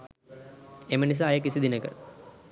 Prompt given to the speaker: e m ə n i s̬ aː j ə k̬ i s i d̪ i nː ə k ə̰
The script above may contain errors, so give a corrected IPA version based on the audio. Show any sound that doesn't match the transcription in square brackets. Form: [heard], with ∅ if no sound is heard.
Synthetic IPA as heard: e m ə n i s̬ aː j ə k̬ i s i d̪ i [n] ə k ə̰